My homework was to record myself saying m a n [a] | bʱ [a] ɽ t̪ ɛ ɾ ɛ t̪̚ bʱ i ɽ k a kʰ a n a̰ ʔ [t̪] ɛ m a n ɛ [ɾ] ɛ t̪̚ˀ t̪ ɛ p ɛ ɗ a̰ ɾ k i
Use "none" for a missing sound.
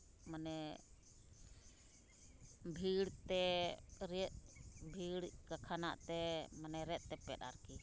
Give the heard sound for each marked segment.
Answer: ɛ, i, t̪, ɾ

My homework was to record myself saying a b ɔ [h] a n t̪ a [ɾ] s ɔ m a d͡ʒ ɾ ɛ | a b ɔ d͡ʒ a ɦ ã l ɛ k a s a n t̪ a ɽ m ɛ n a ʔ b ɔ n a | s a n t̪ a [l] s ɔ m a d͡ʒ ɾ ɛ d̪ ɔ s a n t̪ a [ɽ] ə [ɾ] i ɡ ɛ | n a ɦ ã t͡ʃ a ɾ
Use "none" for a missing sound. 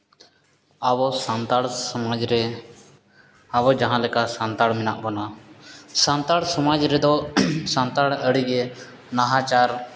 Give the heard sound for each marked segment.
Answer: s, ɽ, ɽ, ɽ, ɽ

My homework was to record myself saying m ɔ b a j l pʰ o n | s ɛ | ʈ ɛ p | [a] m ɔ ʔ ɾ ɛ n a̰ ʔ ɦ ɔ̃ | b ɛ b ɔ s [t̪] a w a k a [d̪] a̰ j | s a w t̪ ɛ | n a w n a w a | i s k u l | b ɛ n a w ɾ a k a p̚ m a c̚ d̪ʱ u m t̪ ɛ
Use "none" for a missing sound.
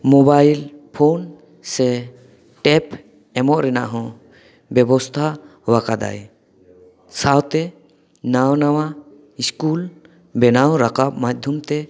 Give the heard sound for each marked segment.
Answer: ɛ, t̪ʰ, d̪

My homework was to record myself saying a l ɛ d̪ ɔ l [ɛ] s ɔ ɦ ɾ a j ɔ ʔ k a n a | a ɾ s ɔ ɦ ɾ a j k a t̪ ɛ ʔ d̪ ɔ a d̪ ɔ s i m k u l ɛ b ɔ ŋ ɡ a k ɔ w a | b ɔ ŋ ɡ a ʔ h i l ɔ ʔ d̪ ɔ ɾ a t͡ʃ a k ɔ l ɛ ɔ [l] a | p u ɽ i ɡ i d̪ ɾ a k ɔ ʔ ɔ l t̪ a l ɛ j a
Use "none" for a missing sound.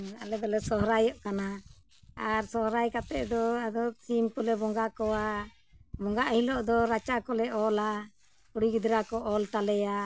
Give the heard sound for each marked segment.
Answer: ɛ, l

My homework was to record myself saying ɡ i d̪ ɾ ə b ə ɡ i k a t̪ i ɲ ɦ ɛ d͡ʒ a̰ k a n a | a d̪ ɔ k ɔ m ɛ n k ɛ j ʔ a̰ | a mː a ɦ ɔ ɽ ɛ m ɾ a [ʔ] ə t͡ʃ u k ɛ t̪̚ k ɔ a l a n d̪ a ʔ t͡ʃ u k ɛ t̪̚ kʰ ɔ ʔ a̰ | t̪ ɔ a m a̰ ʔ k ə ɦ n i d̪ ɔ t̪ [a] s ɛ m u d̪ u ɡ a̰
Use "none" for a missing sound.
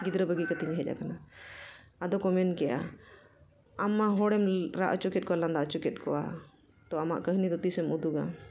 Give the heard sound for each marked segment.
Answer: ʔ, i

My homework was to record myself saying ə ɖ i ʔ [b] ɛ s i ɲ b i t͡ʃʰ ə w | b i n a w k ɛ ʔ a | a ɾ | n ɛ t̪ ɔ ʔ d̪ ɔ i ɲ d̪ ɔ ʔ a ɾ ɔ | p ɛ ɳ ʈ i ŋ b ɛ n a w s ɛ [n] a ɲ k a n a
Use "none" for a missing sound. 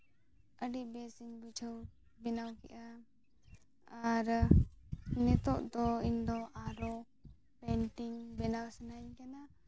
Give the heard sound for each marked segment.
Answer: b, n

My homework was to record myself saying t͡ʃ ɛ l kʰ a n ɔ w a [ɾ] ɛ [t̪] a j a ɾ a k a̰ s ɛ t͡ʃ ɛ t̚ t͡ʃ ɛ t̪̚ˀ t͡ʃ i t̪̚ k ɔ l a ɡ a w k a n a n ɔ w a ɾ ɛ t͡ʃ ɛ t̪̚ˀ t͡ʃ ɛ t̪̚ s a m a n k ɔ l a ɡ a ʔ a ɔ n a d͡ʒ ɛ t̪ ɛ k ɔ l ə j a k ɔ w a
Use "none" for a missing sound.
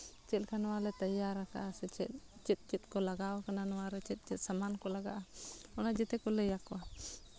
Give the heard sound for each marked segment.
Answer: l, t̪

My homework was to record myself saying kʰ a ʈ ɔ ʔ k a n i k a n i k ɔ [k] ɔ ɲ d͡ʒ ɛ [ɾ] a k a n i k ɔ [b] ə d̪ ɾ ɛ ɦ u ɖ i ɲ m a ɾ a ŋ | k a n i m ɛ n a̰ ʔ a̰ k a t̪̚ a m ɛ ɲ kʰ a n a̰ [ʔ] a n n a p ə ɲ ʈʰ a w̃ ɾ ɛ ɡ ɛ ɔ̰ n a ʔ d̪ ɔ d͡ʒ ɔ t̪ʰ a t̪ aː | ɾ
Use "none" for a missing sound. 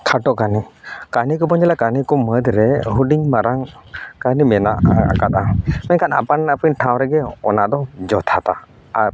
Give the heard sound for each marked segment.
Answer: p, l, m, p

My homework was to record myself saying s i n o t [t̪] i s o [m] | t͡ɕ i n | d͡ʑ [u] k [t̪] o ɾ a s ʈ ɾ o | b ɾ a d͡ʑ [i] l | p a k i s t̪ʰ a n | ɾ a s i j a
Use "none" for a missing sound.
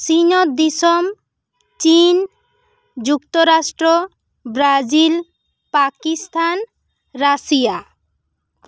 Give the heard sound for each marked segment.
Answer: d̪, m, u, t̪, i

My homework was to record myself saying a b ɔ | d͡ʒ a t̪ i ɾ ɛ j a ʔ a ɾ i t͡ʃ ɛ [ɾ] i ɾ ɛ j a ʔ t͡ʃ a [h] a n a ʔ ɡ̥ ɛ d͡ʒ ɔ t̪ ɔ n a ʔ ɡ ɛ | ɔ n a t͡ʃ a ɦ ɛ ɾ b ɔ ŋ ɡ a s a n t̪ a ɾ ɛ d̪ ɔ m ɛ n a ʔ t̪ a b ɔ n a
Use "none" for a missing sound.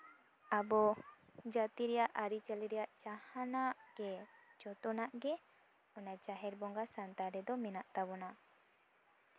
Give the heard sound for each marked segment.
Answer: l, h

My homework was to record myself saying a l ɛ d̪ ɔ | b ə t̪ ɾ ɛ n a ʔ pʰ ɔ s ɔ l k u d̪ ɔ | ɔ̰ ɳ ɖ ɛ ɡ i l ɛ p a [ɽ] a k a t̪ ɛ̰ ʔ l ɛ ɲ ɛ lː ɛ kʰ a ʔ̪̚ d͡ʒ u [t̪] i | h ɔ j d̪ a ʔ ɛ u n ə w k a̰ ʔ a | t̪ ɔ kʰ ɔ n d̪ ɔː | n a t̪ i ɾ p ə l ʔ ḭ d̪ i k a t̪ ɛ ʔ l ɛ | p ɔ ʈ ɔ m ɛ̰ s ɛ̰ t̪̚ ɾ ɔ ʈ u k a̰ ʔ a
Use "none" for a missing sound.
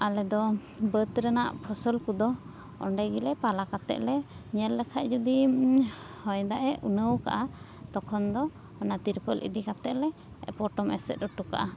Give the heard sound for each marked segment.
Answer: l, d̪

